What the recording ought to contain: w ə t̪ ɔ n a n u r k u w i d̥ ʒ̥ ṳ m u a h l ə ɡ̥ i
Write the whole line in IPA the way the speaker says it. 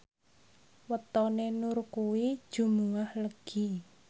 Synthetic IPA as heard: w ə t̪ ɔ n e n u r k u w i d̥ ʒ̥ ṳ m u a h l ə ɡ̥ i